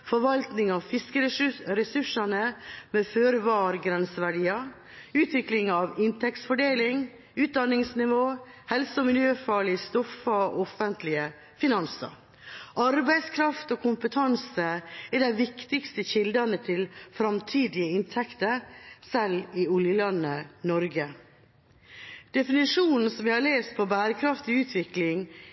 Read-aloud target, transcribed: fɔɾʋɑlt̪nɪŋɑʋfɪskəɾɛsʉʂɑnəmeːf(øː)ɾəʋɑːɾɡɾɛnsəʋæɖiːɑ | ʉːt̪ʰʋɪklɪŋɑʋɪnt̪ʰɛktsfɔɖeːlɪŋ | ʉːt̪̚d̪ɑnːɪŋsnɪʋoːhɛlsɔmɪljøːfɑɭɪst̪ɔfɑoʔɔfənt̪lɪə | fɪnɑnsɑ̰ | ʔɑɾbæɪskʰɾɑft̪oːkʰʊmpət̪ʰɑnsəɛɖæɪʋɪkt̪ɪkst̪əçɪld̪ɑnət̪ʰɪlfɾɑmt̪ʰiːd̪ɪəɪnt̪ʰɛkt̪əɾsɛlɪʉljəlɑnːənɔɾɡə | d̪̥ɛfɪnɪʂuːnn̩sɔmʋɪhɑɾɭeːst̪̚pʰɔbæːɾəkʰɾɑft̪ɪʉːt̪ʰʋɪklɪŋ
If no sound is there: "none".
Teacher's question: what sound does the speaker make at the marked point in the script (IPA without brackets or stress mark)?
øː